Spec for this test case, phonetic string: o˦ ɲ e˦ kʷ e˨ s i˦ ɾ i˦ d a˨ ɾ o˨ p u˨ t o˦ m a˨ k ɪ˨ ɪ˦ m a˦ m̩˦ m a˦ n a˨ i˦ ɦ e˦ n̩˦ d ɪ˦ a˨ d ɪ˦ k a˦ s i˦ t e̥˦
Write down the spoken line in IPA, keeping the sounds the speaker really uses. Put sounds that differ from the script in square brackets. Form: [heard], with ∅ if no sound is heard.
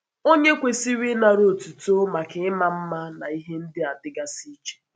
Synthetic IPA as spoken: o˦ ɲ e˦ kʷ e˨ s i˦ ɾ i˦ [n] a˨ ɾ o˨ [t] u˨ t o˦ m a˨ k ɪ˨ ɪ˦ m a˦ m̩˦ m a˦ n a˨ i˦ ɦ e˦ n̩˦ d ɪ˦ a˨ d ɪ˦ [ɡ] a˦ s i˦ [t͡ʃ] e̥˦